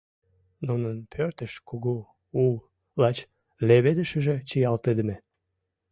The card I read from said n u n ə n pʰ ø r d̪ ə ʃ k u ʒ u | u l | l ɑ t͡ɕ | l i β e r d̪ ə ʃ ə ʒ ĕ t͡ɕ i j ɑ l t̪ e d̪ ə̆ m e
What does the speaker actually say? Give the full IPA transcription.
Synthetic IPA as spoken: n u n ə n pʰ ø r t̪ ə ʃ k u ɣ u | u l | l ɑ t͡ɕ | l e β e d̪ ə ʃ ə ʒ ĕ t͡ɕ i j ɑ l t̪ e d̪ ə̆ m e